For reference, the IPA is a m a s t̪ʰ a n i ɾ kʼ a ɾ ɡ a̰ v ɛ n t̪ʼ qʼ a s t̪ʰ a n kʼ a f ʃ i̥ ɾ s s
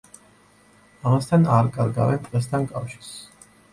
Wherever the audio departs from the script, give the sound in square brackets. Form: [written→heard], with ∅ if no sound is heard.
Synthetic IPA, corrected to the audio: a m a s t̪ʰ a n [i→a] ɾ kʼ a ɾ ɡ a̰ v ɛ n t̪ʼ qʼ [a→ɛ] s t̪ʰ a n kʼ a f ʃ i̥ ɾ s s